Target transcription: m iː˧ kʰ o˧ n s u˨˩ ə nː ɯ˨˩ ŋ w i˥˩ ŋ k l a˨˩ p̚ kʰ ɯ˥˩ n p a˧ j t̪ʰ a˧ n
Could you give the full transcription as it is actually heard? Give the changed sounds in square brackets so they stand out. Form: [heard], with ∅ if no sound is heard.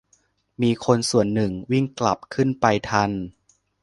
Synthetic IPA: m iː˧ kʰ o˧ n s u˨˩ ə nː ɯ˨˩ ŋ w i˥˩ ŋ k l a˨˩ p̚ kʰ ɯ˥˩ n p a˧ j t̪ʰ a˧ n